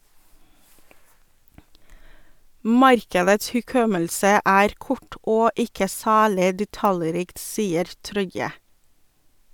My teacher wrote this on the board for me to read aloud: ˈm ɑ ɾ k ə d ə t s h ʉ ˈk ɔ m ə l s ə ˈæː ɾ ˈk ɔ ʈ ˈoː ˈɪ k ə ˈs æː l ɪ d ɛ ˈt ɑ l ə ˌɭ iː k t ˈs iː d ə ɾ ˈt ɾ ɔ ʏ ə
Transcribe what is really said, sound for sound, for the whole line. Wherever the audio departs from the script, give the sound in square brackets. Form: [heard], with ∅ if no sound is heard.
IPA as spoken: ˈm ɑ ɾ k ə d ə t s h ʉ ˈk ɔ m ə l s ə ˈæː ɾ ˈk ɔ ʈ ˈoː ˈɪ k ə ˈs æː l ɪ d ɛ ˈt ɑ l ə [ˌɾ] iː k t ˈs iː [∅] ə ɾ ˈt ɾ ɔ ʏ ə

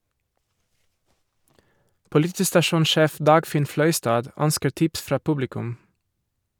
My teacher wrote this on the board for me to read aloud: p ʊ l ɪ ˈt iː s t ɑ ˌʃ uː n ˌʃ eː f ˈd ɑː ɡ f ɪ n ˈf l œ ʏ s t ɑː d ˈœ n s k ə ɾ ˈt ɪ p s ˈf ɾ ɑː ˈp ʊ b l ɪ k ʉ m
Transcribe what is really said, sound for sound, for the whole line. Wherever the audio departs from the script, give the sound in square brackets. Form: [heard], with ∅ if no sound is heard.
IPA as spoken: p ʊ l ɪ ˈt iː s t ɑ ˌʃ uː n ˌʃ eː f ˈd ɑː ɡ f ɪ n ˈf l œ ʏ s t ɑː d ˈœ n s k ə ɾ ˈt ɪ p s ˈf ɾ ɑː ˈp ʊ b l ɪ k ʉ m

